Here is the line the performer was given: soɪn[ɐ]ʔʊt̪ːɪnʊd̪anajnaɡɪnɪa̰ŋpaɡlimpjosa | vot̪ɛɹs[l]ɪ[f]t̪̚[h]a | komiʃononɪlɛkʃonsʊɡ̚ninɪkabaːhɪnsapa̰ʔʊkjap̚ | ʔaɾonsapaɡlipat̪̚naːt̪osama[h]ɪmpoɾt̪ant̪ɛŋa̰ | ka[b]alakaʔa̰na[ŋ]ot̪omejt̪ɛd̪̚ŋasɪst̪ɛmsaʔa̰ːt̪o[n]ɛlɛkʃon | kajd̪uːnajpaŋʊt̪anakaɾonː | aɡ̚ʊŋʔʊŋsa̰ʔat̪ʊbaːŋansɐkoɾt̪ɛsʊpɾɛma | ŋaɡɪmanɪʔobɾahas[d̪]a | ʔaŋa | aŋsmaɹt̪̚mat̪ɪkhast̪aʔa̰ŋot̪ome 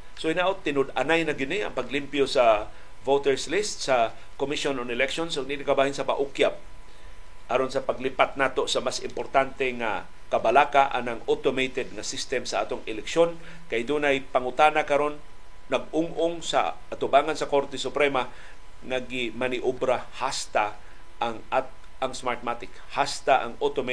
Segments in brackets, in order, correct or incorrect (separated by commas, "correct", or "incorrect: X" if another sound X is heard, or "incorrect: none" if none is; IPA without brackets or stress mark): incorrect: a, correct, incorrect: s, incorrect: s, incorrect: s, correct, correct, incorrect: ŋ, incorrect: t̪